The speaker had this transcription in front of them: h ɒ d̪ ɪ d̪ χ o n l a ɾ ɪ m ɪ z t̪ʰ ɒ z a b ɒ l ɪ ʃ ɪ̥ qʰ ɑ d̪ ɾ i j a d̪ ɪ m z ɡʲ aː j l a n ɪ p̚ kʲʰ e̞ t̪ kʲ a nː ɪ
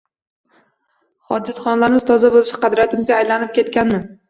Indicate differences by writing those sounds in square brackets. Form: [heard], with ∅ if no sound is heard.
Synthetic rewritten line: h ɒ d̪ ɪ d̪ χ [ɒ] n l a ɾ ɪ m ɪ z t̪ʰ ɒ z a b [o] l ɪ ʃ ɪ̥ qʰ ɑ d̪ ɾ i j a [t̪] ɪ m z ɡʲ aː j l a n ɪ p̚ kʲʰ e̞ t̪ kʲ a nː ɪ